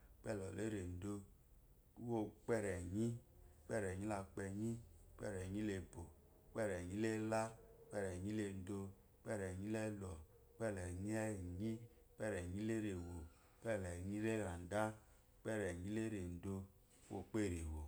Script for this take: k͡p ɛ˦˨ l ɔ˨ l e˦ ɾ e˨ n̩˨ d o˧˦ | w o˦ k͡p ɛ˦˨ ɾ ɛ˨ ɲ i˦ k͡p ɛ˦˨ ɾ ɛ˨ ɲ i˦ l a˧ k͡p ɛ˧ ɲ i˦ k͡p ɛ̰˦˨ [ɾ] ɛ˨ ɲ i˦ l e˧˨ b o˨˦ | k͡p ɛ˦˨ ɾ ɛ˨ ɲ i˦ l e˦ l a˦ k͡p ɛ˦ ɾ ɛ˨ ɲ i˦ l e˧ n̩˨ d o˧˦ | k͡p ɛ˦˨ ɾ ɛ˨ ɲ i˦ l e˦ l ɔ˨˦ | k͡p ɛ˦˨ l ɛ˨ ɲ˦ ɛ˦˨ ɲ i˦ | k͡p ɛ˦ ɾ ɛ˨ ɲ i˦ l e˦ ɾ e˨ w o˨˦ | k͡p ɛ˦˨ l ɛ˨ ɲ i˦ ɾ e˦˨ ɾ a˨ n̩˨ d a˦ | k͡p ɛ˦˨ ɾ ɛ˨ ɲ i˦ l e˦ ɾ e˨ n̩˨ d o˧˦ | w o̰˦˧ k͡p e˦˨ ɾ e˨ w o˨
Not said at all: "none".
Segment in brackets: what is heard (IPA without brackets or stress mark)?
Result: ɾ